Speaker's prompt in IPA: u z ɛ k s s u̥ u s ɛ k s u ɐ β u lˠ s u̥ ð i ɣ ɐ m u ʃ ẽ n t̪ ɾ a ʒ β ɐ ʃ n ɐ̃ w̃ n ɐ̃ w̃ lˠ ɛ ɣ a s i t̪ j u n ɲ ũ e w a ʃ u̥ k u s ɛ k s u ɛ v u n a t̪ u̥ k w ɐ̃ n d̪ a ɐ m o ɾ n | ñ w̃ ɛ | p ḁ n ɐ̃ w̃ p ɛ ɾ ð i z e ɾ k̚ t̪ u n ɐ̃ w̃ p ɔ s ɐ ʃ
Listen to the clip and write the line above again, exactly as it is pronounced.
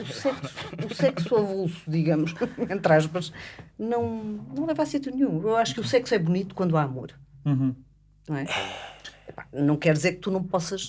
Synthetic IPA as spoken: u s ɛ k s s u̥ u s ɛ k s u ɐ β u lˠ s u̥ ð i ɣ ɐ m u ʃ ẽ n t̪ ɾ a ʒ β ɐ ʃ n ɐ̃ w̃ n ɐ̃ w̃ lˠ ɛ v a s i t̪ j u n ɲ ũ e w a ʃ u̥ k u s ɛ k s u ɛ β u n i t̪ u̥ k w ɐ̃ n d̪ a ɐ m o ɾ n | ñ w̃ ɛ | p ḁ n ɐ̃ w̃ k ɛ ɾ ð i z e ɾ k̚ t̪ u n ɐ̃ w̃ p ɔ s ɐ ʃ